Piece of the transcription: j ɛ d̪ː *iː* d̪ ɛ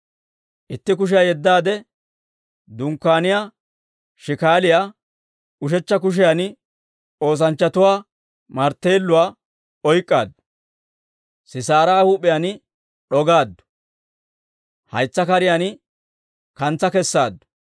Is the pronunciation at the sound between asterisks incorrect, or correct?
incorrect